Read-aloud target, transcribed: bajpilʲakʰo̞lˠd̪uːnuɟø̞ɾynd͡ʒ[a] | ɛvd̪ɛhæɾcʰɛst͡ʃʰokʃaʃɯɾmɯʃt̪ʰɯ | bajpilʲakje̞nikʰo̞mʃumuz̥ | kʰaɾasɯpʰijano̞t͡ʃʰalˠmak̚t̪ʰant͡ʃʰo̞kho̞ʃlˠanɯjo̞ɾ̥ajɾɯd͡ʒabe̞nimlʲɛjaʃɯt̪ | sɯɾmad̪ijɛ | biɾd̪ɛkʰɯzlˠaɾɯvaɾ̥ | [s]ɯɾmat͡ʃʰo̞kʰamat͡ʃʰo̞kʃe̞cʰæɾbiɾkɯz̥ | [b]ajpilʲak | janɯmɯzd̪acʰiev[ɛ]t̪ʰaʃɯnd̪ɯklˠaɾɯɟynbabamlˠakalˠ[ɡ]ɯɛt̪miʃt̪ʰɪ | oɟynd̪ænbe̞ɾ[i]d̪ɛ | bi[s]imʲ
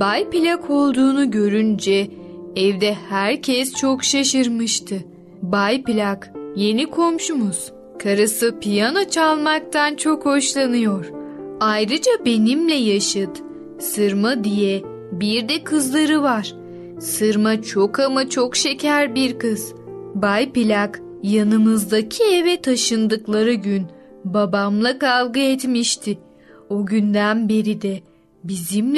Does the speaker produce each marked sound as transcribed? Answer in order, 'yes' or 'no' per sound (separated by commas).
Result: no, yes, yes, yes, yes, yes, no